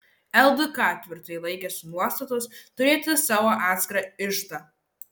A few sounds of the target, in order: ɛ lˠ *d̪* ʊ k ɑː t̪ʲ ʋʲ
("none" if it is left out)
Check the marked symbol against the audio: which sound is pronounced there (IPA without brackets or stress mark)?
d̪